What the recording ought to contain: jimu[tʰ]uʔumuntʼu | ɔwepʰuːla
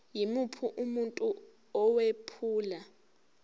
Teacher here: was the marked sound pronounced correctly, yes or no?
no